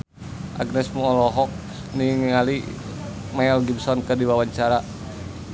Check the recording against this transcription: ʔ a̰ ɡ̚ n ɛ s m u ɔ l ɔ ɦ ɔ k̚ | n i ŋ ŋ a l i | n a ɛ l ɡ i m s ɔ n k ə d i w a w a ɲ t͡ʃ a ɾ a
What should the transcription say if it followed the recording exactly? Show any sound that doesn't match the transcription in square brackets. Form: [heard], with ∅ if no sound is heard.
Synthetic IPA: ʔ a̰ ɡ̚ n ɛ s m u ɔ l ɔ ɦ ɔ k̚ | n i ŋ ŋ a l i | [m] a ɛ l ɡ i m s ɔ n k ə d i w a w a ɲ t͡ʃ a ɾ a